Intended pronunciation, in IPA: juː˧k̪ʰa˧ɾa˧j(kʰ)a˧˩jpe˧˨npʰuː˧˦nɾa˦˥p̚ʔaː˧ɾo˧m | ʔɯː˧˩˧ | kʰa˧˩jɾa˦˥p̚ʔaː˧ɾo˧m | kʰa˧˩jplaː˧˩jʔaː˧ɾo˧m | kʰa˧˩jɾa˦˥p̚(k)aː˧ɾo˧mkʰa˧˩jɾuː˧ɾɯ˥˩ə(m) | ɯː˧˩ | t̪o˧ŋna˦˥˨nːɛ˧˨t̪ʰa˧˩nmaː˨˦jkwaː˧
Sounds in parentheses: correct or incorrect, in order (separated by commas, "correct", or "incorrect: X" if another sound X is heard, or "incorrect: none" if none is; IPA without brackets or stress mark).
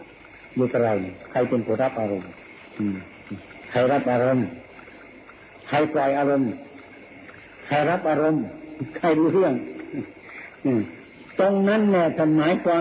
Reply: correct, incorrect: ʔ, incorrect: ŋ